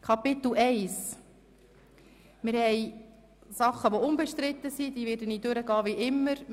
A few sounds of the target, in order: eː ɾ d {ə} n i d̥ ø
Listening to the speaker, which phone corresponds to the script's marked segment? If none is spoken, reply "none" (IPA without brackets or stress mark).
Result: ə